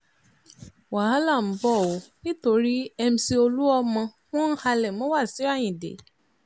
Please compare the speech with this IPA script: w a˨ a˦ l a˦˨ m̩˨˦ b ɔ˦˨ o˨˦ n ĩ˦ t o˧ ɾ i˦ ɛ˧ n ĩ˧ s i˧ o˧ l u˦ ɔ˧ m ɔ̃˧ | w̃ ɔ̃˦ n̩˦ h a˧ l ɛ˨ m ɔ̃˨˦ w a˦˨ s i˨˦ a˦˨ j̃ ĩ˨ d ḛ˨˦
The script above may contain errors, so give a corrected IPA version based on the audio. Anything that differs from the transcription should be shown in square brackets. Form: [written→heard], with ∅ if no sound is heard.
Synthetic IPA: w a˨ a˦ l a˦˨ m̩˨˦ b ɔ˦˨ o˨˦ n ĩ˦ t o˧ ɾ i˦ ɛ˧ [n→m] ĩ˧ s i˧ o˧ l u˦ ɔ˧ m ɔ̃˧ | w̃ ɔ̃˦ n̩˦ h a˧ l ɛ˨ m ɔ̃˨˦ w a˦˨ s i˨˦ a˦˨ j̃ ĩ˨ d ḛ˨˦